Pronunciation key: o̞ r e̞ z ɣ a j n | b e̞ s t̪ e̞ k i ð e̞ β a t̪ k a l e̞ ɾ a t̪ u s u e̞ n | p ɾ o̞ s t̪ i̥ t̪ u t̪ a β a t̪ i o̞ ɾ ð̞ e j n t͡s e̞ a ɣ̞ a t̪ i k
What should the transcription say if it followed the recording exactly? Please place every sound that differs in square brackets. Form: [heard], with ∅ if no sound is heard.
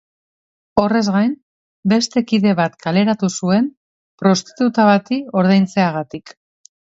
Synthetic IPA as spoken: o̞ r e̞ z ɣ a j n | b e̞ s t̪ e̞ k i ð e̞ β a t̪ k a l e̞ ɾ a t̪ u s u e̞ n | p ɾ o̞ s t̪ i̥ t̪ u t̪ a β a t̪ i o̞ ɾ ð̞ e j n t͡s e̞ a ɣ̞ a t̪ i k